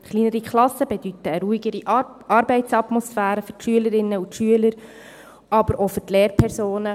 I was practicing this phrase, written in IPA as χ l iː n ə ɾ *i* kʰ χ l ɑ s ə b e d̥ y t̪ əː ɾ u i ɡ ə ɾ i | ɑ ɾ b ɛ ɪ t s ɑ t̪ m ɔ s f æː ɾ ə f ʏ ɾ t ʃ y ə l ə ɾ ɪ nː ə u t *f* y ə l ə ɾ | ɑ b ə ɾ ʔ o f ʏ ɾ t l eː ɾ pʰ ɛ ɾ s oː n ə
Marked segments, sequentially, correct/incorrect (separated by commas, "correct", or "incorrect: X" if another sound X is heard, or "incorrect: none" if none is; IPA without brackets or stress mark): correct, incorrect: ʃ